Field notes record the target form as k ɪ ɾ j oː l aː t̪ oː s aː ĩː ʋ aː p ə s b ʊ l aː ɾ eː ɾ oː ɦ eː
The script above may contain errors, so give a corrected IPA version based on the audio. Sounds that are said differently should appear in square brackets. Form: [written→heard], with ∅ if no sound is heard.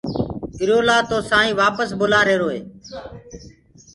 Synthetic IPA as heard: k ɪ ɾ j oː l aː t̪ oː s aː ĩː ʋ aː p ə s b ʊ l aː ɾ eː ɾ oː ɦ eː